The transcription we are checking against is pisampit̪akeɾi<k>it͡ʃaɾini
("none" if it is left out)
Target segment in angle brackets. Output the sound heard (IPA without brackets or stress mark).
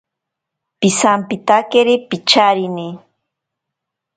p